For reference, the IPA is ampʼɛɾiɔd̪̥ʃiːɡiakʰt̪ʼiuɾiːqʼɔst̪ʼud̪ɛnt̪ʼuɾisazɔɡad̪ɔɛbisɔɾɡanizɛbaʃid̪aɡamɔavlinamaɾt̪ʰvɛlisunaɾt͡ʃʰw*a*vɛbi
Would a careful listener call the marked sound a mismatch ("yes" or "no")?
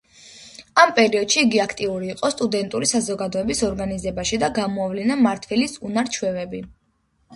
yes